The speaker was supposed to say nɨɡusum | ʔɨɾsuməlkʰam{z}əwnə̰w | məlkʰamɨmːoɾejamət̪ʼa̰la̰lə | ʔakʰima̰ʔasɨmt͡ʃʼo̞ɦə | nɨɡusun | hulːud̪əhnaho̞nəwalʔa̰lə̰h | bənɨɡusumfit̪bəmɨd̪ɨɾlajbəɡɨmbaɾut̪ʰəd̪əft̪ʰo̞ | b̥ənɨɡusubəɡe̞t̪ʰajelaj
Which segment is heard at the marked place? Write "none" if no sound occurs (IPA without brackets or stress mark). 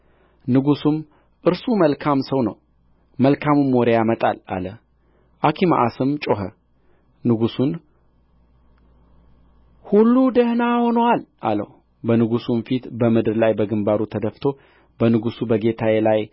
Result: s